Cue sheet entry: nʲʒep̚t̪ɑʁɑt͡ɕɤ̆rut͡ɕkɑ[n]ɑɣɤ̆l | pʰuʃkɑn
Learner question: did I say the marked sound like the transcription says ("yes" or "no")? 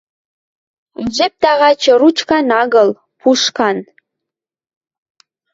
yes